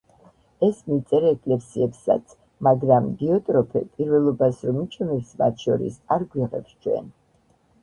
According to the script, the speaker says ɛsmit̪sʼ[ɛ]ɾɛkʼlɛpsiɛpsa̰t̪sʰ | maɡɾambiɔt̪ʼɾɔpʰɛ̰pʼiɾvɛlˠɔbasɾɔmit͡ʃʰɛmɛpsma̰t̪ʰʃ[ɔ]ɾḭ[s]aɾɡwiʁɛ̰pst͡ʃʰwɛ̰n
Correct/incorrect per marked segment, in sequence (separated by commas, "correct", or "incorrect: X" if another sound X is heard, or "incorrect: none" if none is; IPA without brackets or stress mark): correct, correct, correct